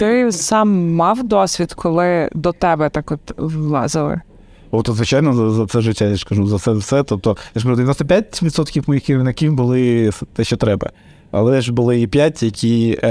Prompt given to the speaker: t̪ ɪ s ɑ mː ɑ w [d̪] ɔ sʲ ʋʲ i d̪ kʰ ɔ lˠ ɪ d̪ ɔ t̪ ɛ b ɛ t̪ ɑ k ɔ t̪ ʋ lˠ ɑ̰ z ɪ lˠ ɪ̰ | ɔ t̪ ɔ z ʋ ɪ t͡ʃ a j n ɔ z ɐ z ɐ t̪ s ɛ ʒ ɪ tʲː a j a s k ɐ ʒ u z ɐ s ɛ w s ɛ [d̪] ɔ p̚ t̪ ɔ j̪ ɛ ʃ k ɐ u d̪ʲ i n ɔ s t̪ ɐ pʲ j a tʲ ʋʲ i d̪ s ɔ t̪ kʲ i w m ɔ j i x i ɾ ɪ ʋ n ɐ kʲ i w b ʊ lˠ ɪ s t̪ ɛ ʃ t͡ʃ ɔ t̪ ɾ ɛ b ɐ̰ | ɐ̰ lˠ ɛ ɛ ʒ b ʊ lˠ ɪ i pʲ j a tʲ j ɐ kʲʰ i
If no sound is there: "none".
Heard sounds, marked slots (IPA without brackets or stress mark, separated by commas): d̪, t̪